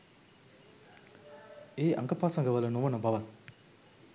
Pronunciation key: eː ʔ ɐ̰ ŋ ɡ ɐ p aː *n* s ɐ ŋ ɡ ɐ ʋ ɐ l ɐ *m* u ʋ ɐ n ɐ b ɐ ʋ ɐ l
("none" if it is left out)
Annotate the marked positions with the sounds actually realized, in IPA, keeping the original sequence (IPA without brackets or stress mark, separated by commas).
none, n